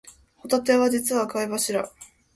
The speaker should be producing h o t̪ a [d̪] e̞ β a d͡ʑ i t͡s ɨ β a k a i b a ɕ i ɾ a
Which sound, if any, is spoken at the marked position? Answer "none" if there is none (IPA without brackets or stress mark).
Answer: t̪